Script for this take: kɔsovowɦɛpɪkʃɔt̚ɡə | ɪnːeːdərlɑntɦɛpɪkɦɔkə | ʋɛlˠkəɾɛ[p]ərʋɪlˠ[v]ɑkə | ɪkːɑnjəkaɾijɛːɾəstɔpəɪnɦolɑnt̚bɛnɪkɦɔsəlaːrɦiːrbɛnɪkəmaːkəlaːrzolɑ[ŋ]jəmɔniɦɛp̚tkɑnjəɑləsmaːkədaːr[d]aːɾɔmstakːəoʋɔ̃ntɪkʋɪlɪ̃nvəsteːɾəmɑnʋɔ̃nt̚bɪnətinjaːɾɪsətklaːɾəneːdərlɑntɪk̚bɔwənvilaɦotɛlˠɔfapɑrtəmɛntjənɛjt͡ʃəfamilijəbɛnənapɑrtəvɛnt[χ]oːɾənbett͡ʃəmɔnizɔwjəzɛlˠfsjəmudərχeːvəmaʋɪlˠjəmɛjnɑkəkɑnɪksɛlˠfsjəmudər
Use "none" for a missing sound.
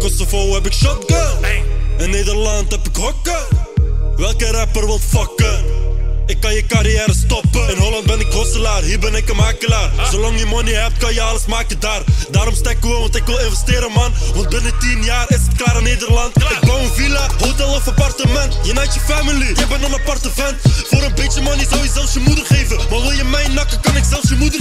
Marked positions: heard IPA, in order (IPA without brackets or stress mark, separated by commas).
p, f, ŋ, d, f